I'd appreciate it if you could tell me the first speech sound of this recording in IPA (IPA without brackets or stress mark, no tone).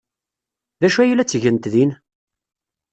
ð